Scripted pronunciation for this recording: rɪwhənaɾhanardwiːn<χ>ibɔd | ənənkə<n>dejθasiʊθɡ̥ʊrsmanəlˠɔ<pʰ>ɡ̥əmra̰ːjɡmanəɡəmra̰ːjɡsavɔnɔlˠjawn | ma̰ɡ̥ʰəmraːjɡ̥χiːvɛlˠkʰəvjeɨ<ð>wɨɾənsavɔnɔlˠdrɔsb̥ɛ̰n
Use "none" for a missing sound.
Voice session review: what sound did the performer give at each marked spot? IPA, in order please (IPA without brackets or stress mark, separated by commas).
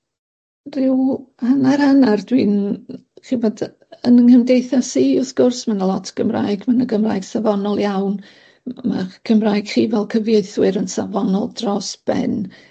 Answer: χ, m, tʰ, θ